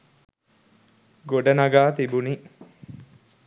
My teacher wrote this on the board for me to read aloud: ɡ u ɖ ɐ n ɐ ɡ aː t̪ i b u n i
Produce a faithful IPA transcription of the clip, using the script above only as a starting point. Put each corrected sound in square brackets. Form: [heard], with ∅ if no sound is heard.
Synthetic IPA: ɡ [o] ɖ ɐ n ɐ ɡ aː t̪ i b u n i